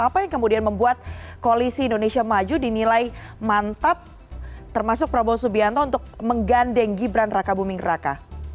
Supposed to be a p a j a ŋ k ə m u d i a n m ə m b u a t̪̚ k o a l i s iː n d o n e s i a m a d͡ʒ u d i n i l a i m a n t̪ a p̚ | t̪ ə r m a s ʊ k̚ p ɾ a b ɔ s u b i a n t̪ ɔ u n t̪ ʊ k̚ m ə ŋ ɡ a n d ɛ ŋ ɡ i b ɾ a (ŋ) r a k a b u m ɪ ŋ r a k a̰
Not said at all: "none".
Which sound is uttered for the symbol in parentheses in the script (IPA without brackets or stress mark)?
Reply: n